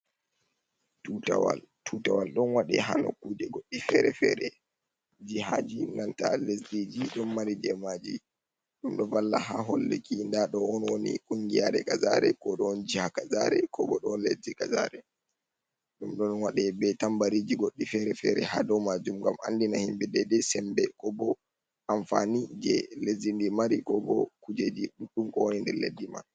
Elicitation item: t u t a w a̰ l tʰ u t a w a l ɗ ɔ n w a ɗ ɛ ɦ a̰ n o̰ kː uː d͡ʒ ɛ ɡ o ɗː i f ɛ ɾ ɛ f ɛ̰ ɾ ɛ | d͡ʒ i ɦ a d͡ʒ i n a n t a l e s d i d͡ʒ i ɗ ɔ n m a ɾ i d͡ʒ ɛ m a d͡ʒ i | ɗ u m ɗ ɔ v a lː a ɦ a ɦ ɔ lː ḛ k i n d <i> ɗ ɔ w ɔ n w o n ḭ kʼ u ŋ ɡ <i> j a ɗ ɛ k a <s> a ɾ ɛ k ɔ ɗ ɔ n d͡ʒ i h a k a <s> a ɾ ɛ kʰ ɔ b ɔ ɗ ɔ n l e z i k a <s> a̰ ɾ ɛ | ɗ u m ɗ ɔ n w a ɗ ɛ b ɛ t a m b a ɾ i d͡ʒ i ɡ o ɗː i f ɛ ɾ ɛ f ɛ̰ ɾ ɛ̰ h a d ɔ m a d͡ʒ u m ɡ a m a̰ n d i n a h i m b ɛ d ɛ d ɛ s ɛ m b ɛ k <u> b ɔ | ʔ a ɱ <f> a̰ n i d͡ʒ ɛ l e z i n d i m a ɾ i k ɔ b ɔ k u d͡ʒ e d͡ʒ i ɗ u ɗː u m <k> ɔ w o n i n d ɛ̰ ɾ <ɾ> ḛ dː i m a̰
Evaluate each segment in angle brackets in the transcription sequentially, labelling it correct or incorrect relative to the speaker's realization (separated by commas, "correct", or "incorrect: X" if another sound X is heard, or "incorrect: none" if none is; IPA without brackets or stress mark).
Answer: incorrect: a, correct, incorrect: z, incorrect: z, incorrect: z, incorrect: ɔ, correct, correct, incorrect: l